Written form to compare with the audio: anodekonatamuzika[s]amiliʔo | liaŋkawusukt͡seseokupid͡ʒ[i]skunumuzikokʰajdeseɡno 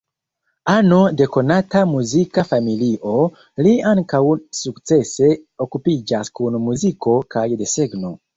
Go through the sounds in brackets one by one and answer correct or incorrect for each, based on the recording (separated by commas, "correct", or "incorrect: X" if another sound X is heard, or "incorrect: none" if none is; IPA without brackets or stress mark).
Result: incorrect: f, incorrect: a